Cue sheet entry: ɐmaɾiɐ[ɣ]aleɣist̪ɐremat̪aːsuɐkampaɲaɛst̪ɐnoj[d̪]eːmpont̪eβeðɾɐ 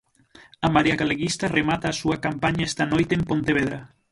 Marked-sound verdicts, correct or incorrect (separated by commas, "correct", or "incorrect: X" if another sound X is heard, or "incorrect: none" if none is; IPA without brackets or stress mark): correct, incorrect: t̪